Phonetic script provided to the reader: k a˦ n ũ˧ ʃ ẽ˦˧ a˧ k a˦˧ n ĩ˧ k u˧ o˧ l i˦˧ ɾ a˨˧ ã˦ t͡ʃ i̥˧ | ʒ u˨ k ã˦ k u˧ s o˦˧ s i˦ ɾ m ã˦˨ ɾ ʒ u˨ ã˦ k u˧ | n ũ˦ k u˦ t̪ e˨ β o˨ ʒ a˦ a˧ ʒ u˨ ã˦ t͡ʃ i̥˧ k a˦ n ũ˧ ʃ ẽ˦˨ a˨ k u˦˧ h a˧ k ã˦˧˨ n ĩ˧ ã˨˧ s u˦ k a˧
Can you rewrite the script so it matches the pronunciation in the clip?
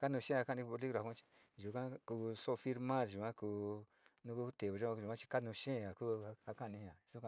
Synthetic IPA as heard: k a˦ n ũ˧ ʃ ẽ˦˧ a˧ k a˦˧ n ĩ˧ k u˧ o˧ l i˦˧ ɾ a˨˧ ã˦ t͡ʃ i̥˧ | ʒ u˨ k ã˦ k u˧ s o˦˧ f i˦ ɾ m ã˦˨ ɾ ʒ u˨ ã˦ k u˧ | n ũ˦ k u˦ t̪ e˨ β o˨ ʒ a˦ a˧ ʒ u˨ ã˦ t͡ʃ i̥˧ k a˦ n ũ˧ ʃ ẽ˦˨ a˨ k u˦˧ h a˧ k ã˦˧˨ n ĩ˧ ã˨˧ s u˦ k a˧